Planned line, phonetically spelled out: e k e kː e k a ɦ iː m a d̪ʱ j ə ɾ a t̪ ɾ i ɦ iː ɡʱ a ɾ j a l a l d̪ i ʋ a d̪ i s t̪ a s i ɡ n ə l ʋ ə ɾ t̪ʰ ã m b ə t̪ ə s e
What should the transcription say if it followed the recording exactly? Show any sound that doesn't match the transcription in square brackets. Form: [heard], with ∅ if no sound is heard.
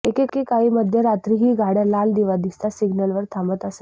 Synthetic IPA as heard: e k e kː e k a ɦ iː m [ə] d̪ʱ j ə ɾ a t̪ ɾ i ɦ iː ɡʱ a [ɽ] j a l a l d̪ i ʋ a d̪ i s t̪ a s i ɡ n ə l ʋ ə ɾ t̪ʰ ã m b ə t̪ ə s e